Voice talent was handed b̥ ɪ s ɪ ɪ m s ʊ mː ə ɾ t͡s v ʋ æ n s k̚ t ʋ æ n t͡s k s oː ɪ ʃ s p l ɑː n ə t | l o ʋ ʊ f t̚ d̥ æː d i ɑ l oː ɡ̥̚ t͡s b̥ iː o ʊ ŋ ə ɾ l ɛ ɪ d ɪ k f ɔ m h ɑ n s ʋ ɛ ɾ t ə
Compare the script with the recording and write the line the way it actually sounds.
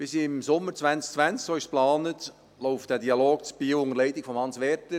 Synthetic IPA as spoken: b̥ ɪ s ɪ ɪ m s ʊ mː ə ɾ t͡s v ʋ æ n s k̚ t͡s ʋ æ n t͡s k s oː ɪ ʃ s p l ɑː n ə t | l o ʊ f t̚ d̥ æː d i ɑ l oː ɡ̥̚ t͡s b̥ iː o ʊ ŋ ə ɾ l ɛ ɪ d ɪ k f ɔ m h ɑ n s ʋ ɛ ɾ t ə